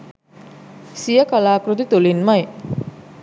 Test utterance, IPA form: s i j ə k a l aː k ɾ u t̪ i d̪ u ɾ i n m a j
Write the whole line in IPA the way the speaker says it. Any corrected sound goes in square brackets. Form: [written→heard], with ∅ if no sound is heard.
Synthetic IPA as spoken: s i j ə k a l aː k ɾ u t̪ i [d̪→t̪] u [ɾ→l] i n m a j